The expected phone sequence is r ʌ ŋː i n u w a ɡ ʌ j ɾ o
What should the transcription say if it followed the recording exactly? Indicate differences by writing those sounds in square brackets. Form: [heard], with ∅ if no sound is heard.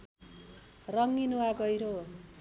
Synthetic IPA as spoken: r ʌ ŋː i n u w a ɡ ʌ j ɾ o